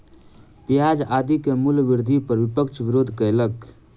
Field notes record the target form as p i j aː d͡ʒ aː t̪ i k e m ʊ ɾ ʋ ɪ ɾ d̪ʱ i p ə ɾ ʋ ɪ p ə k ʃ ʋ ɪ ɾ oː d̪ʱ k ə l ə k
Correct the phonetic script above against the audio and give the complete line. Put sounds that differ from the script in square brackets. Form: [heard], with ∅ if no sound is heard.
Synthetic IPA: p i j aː d͡ʒ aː [d̪] i k e m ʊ [l] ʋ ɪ ɾ d̪ʱ i p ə ɾ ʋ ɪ p ə k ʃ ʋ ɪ ɾ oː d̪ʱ k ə l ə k